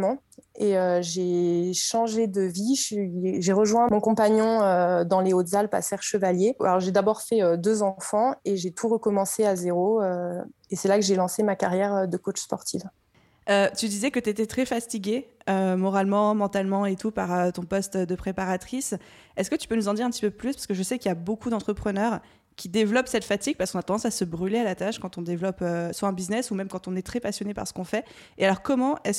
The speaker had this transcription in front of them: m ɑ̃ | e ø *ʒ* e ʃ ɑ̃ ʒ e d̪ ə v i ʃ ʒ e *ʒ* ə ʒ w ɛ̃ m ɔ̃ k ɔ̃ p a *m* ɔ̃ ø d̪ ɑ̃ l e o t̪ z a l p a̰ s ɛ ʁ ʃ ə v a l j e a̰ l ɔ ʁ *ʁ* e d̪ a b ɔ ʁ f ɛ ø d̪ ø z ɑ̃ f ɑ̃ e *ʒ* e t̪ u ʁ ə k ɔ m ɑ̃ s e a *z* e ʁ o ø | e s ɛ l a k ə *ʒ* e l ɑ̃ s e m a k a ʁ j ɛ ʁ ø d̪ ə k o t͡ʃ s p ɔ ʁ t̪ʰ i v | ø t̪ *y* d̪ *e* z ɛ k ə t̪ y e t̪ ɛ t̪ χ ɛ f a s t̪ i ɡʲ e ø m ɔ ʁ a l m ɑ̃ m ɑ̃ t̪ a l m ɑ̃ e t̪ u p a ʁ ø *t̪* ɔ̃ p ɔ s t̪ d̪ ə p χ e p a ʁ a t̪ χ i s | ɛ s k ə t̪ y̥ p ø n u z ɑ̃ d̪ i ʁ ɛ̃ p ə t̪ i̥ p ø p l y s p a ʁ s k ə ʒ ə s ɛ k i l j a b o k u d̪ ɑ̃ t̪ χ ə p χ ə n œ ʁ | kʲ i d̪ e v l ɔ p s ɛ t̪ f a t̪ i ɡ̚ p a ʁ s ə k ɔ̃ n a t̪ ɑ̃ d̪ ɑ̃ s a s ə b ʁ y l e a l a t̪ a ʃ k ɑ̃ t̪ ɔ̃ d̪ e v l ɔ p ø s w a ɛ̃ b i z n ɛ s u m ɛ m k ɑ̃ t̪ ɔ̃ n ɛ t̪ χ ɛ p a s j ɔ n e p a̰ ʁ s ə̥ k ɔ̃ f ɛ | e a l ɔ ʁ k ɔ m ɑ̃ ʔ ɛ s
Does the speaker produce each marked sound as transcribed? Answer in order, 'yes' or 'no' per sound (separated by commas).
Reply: yes, no, no, no, yes, yes, yes, yes, no, yes